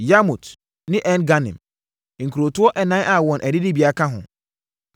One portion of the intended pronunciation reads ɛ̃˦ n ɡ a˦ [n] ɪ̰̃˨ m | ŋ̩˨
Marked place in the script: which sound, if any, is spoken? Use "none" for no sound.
n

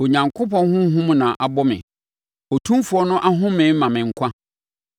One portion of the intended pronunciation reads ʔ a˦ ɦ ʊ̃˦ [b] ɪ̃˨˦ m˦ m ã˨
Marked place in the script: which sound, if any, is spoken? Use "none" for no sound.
m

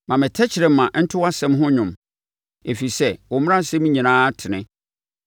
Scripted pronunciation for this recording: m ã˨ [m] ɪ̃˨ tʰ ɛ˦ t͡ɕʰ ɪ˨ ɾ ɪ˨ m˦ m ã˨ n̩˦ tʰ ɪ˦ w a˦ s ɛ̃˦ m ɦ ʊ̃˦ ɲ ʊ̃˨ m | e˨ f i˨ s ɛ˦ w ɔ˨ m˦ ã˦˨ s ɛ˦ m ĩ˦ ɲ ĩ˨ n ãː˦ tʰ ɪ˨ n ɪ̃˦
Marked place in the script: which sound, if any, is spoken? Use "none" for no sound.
m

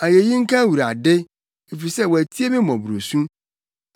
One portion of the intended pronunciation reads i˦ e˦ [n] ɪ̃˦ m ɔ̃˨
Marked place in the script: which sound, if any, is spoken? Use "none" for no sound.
m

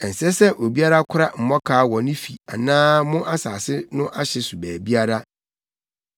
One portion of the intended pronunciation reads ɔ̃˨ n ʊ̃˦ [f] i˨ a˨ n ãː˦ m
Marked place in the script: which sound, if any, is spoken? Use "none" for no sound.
f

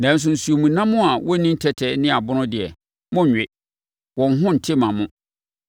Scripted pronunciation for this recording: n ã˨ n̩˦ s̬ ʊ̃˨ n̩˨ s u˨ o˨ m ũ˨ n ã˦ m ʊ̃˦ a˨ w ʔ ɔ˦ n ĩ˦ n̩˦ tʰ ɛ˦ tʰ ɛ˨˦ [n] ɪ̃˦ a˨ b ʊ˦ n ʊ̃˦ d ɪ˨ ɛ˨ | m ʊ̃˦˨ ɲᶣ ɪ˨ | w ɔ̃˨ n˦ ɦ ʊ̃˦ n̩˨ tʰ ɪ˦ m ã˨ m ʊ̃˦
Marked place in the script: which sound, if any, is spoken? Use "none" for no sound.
n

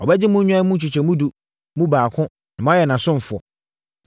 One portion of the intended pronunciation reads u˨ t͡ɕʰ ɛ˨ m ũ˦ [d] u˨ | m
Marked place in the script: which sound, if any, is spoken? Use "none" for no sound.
d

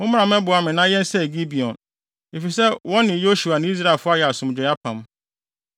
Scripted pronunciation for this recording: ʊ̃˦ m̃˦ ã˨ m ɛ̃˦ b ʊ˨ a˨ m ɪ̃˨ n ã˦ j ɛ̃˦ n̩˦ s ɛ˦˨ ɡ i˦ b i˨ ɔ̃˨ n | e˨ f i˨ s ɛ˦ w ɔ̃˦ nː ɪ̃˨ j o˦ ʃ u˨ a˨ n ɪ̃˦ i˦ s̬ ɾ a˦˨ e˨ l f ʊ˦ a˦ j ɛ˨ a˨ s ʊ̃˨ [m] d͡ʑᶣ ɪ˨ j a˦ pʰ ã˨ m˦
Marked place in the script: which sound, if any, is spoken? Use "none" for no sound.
m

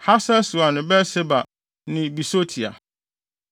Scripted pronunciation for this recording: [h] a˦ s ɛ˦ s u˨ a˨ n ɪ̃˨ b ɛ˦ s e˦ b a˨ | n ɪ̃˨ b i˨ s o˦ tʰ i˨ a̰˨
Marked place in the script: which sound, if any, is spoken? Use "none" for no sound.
h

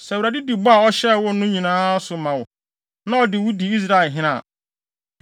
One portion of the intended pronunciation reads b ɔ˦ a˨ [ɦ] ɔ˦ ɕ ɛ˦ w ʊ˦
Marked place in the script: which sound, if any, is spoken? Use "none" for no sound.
none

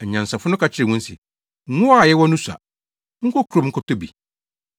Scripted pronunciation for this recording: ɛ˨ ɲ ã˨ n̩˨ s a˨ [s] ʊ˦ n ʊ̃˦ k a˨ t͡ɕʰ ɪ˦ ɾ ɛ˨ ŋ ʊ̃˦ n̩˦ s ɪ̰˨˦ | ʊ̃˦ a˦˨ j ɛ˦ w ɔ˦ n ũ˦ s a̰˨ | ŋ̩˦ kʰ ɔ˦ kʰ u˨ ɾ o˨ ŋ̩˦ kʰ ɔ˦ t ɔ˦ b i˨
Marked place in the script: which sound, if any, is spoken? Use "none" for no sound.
f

